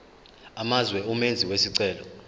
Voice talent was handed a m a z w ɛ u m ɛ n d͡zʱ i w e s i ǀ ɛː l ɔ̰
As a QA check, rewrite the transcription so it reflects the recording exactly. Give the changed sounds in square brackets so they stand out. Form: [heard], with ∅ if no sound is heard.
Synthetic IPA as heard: a m a z w ɛ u m [e] n d͡zʱ i w e s i ǀ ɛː l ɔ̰